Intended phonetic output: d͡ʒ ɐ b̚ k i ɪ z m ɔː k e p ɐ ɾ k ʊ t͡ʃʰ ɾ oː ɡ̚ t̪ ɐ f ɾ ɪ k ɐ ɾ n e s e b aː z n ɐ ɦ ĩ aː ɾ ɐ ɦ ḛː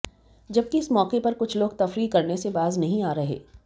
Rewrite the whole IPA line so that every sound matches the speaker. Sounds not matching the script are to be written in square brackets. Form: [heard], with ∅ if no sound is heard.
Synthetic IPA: d͡ʒ ɐ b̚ k i ɪ [s] m ɔː k e p ɐ ɾ k ʊ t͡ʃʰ [l] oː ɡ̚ t̪ ɐ f ɾ [i] k ɐ ɾ n e s e b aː z n ɐ ɦ ĩ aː ɾ ɐ ɦ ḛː